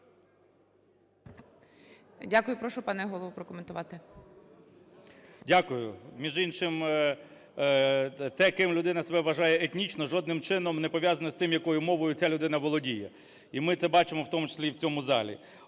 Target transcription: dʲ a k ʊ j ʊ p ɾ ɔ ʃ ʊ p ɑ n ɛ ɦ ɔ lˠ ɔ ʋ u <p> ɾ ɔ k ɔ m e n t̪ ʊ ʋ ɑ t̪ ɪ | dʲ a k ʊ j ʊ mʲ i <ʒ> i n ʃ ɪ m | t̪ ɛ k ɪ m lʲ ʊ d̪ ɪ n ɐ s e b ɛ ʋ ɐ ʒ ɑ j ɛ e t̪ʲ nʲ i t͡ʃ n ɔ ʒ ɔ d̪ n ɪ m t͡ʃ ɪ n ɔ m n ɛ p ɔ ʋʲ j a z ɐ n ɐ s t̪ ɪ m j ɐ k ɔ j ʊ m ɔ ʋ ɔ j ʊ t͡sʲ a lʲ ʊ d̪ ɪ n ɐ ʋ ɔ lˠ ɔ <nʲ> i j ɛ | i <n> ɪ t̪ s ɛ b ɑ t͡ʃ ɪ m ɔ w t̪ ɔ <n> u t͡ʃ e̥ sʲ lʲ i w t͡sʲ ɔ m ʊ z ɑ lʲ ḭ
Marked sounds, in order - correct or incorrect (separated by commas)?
correct, correct, incorrect, incorrect, incorrect